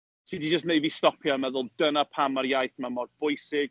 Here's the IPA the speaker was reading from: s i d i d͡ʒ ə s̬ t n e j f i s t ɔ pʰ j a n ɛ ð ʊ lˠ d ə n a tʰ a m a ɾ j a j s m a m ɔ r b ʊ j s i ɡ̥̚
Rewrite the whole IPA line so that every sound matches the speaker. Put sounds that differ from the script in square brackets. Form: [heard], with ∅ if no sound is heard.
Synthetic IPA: s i d i d͡ʒ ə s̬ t n e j [v] i s t ɔ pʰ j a [m] ɛ ð ʊ lˠ d ə n a [pʰ] a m a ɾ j a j [θ] m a m ɔ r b ʊ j s [ɪ] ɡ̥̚